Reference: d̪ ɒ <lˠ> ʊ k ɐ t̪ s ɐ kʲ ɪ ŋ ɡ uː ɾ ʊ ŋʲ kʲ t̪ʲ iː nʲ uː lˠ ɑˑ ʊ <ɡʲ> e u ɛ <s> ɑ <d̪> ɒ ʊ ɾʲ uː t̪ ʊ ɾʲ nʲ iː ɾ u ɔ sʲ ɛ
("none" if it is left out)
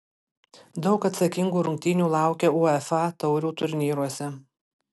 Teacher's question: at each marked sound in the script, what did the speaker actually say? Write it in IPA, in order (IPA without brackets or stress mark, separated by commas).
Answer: none, kʲ, f, t̪